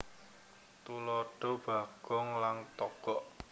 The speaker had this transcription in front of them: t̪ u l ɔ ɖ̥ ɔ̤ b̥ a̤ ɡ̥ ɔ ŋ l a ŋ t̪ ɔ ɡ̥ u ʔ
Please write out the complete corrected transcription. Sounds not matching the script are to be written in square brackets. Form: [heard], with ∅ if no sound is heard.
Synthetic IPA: t̪ u l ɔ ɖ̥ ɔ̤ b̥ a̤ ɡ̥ ɔ ŋ l a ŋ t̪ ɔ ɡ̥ [ɔ] ʔ

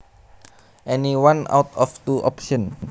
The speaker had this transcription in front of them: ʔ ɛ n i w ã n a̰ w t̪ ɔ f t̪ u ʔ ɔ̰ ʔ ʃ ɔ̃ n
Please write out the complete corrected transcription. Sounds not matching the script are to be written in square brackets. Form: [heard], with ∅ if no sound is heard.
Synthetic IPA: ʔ ɛ n i w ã n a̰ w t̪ ɔ f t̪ u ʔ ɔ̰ [p] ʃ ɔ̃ n

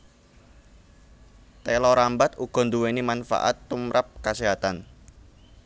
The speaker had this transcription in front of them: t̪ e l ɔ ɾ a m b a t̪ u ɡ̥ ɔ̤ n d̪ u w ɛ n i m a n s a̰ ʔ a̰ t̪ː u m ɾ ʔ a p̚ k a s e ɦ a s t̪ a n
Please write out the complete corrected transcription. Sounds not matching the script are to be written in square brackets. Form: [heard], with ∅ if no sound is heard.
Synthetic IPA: t̪ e l ɔ ɾ a m b a t̪ u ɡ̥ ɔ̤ n d̪ u w [e] n i m a n [f] a̰ ʔ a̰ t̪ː u m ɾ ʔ a p̚ k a s e ɦ a [∅] t̪ a n

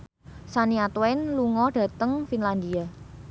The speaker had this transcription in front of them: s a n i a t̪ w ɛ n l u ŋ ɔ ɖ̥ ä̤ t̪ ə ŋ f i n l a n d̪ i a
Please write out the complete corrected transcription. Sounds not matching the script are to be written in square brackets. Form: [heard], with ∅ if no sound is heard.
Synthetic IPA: s a n i a t̪ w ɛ n l u ŋ ɔ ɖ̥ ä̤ t̪ ə ŋ f i n l a n d̪ i a

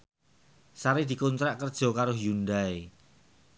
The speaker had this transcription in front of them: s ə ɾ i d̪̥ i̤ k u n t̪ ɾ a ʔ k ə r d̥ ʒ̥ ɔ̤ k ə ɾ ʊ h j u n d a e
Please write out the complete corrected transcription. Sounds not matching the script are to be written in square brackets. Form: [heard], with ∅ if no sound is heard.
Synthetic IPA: s [a] ɾ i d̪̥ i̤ k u n t̪ ɾ a ʔ k ə r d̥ ʒ̥ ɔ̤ k [a] ɾ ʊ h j u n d a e

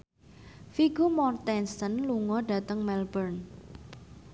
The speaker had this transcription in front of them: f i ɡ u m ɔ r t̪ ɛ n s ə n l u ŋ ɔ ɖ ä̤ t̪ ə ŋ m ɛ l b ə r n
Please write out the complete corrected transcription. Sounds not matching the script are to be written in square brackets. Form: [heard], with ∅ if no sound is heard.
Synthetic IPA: f i ɡ u m ɔ r t̪ ɛ n s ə n l u ŋ ɔ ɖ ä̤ t̪ ə ŋ m ɛ l b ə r n

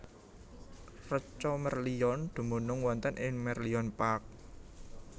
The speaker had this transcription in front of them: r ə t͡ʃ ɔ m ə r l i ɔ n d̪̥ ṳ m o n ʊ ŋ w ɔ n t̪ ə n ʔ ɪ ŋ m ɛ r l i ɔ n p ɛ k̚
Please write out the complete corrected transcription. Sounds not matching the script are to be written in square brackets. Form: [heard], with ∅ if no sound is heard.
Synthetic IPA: r ə t͡ʃ ɔ m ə r l i ɔ n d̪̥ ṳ m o n ʊ ŋ w ɔ n t̪ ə n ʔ ɪ ŋ m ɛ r l i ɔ n p [a] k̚

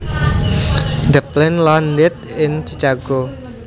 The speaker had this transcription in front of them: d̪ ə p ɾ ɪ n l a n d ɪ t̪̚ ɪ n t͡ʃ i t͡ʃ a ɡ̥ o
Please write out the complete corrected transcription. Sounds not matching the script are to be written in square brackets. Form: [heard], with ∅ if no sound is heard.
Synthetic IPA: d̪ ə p [l] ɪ n l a n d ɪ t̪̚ ɪ n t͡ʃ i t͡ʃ a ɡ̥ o

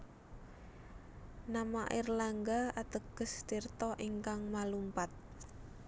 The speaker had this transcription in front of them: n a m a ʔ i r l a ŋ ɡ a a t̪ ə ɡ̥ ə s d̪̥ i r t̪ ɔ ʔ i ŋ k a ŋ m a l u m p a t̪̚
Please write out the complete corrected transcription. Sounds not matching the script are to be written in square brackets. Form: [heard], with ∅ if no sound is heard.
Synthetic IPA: n a m a ʔ i r l a ŋ ɡ a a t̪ ə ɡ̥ ə s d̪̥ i r t̪ ɔ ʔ i ŋ k a ŋ m a l u m p a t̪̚

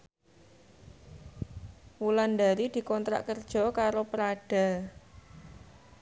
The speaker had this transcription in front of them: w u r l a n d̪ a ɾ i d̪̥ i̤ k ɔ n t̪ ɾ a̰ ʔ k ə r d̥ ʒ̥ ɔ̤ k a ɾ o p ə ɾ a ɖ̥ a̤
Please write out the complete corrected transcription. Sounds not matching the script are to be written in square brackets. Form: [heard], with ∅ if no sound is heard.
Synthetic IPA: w u [∅] l a n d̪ a ɾ i d̪̥ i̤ k ɔ n t̪ ɾ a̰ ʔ k ə r d̥ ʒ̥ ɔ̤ k a ɾ o p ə ɾ a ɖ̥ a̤

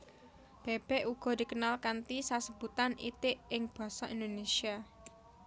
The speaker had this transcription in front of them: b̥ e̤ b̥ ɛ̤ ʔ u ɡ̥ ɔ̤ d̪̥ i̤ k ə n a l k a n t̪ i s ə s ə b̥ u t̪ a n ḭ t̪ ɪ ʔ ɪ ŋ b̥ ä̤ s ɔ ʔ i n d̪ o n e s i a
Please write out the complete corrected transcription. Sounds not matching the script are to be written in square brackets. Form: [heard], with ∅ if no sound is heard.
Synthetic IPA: b̥ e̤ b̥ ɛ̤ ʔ u ɡ̥ ɔ̤ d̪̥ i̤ k ə n a l k a n t̪ i s [a] s ə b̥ u t̪ a n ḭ t̪ ɪ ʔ ɪ ŋ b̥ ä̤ s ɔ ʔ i n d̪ o n e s i a

